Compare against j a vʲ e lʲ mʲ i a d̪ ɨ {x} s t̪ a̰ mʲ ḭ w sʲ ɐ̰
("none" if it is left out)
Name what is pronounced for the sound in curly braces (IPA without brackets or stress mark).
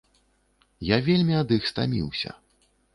x